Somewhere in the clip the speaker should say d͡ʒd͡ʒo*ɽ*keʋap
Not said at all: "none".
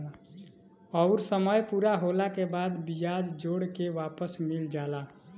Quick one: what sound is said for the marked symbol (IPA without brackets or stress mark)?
ɽ